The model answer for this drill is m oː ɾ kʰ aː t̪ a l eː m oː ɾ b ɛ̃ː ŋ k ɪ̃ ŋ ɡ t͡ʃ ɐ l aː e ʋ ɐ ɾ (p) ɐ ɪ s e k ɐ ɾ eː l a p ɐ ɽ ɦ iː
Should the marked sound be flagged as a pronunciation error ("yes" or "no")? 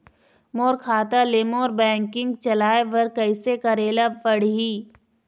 yes